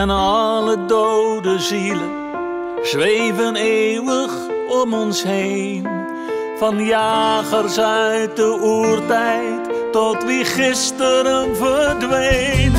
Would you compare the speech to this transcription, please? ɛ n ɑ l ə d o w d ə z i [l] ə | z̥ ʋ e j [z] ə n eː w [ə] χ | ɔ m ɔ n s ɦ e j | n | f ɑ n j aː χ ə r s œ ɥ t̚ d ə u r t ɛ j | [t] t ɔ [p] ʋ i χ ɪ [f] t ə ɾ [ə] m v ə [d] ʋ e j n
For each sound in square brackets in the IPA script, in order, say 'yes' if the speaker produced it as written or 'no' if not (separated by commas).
yes, no, yes, yes, no, no, yes, yes